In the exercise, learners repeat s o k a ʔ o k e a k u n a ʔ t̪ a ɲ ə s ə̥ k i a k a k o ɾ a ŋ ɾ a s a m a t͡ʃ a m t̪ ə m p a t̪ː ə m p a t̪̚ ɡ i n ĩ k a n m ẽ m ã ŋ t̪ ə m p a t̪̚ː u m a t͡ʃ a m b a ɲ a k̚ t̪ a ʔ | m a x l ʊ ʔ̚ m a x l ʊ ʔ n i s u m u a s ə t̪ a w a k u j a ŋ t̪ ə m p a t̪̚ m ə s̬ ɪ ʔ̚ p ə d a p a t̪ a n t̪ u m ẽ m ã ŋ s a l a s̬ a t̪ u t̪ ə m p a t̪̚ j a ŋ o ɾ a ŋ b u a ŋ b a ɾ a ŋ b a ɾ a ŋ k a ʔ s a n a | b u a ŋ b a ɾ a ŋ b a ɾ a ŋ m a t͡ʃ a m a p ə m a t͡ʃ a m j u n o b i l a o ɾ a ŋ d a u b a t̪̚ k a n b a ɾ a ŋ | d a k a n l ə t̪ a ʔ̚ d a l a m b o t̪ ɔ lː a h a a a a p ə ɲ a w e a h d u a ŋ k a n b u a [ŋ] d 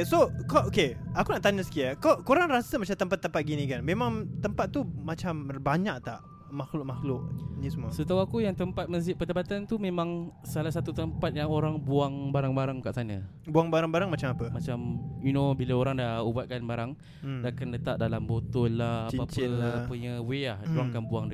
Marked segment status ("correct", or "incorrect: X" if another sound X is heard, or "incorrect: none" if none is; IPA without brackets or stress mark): correct